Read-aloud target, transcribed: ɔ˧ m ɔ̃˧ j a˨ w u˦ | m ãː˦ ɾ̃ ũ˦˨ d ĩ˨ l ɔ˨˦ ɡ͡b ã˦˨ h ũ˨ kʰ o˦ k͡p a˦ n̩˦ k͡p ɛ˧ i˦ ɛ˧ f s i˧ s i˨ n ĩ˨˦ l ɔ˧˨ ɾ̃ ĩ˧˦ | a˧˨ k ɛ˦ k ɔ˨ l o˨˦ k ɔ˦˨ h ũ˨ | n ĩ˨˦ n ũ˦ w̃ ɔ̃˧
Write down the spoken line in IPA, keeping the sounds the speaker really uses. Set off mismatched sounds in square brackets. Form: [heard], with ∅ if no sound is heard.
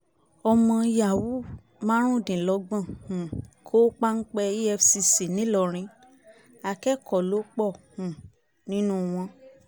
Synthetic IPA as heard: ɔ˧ m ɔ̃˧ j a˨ w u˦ | m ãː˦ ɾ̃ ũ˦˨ d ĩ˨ l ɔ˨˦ ɡ͡b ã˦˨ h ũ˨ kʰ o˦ k͡p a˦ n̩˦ k͡p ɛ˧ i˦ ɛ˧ f s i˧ s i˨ n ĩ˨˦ l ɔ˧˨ ɾ̃ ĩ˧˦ | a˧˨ k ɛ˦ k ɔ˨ l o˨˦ [k͡p] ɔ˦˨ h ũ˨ | n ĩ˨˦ n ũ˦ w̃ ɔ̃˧